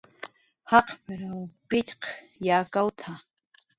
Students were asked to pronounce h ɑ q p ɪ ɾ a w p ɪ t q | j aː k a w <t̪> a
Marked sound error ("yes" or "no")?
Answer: yes